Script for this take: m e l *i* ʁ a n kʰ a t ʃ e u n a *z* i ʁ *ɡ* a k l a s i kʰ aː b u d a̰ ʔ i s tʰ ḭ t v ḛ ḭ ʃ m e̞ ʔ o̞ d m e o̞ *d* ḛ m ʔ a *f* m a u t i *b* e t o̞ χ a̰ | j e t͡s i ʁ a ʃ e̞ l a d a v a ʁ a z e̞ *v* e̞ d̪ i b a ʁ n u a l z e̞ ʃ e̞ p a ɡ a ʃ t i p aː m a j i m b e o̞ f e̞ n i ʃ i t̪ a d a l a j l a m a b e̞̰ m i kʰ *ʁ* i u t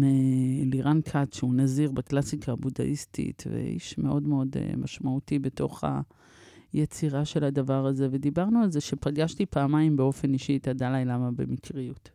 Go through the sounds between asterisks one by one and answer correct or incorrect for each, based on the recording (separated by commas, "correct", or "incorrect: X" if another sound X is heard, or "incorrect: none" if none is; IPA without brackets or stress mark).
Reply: correct, correct, incorrect: b, correct, incorrect: ʃ, correct, correct, correct